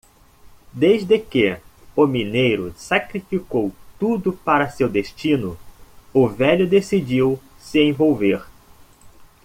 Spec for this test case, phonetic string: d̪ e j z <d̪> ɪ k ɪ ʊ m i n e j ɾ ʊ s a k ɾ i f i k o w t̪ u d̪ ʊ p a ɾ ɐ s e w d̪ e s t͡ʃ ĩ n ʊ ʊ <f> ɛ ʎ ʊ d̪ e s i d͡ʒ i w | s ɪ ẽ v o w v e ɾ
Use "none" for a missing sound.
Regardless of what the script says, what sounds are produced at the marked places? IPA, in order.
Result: d̪, v

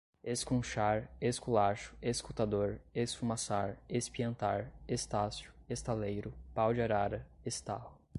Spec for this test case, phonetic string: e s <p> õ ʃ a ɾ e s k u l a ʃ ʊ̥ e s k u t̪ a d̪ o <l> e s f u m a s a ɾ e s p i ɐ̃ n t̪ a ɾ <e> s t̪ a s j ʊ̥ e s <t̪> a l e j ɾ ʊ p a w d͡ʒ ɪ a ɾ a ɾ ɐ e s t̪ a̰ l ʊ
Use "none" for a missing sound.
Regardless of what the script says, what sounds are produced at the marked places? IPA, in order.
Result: k, ɾ, e, t̪

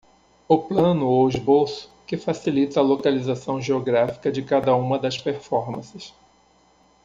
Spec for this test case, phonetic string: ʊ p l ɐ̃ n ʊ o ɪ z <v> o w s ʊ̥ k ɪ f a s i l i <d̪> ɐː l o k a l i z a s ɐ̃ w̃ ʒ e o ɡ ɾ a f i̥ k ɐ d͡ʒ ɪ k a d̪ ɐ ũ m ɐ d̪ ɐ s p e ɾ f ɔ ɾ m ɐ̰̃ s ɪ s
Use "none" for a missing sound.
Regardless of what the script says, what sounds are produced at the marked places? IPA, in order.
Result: b, t̪

